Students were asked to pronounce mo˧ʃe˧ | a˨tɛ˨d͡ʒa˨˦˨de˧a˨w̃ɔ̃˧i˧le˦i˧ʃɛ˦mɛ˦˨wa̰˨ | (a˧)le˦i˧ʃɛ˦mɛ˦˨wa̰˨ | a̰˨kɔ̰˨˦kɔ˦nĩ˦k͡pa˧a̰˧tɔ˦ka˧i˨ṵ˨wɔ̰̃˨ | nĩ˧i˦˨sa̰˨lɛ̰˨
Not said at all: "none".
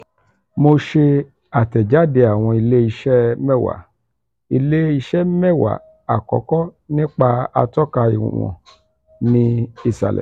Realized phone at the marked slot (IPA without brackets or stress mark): i˧